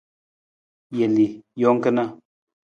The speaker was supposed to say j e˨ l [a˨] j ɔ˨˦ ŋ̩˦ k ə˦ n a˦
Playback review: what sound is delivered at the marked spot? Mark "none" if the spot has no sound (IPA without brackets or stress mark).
i˨